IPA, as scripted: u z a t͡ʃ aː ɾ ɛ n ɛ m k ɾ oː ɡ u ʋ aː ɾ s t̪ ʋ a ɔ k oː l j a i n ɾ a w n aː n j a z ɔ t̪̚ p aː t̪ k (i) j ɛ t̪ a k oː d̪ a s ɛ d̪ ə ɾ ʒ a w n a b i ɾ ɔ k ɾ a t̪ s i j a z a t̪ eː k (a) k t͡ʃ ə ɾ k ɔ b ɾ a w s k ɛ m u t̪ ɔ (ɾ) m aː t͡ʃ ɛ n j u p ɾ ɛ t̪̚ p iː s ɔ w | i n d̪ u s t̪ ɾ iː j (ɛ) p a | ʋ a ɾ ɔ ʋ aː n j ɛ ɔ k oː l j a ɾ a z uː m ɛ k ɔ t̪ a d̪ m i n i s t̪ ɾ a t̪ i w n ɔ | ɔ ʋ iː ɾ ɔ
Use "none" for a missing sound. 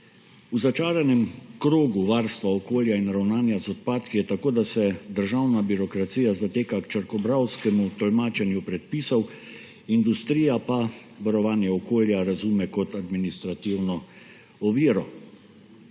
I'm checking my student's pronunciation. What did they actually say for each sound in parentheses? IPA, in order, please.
i, a, l, a

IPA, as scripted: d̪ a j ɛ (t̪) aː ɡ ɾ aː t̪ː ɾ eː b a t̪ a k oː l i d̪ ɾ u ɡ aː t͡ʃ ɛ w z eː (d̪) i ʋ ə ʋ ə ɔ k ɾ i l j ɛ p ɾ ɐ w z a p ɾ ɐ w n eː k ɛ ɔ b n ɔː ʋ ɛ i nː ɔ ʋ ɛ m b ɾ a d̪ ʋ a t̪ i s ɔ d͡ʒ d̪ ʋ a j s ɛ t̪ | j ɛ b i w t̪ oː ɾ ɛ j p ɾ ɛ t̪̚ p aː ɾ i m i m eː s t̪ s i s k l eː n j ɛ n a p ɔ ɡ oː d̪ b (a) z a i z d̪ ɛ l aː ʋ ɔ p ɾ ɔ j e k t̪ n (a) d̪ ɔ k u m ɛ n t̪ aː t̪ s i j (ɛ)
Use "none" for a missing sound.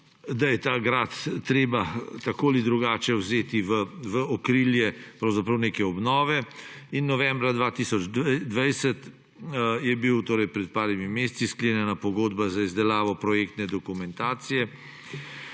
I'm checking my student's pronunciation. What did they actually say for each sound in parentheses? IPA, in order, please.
t̪, t̪, a, ɛ, ɛ

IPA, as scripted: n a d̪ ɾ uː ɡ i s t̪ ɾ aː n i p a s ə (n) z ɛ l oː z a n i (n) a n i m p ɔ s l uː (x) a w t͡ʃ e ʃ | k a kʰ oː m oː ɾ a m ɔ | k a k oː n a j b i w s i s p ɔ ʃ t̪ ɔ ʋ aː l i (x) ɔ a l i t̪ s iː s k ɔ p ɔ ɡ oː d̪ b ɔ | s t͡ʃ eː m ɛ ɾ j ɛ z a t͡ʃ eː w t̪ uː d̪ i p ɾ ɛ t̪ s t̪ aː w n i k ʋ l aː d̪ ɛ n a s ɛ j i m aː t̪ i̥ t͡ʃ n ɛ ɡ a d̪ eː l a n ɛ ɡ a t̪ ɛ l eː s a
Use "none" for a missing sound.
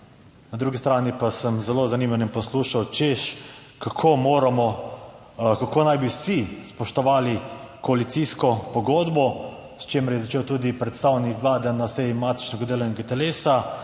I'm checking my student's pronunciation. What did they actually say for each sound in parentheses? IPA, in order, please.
m, m, ʃ, k

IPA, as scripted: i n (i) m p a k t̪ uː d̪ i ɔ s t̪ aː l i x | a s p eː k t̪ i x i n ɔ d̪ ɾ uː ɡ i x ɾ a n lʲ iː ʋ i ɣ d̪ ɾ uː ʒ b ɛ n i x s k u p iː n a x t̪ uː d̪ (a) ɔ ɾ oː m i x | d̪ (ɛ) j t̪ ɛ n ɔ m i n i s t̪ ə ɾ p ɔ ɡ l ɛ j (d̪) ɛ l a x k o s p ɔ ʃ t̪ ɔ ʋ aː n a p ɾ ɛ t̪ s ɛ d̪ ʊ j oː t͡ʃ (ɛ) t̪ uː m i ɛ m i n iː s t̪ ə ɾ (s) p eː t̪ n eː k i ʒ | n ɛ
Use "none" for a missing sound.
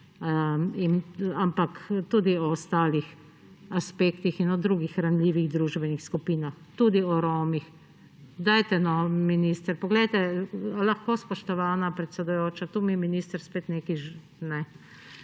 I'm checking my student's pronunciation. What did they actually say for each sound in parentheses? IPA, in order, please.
a, i, a, t̪, a, s

